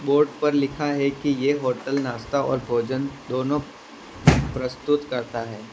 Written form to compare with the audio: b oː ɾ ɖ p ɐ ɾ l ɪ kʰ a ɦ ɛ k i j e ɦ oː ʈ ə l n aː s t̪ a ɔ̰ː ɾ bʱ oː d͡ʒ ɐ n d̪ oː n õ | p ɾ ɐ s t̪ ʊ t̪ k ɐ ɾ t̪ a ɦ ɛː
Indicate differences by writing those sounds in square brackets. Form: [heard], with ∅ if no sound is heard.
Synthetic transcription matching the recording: b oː ɾ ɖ p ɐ ɾ l ɪ kʰ a ɦ ɛ k i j e ɦ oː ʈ ə l n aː s t̪ a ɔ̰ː ɾ bʱ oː d͡ʒ [ə] n d̪ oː n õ | p ɾ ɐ s t̪ ʊ t̪ k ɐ ɾ t̪ a ɦ ɛː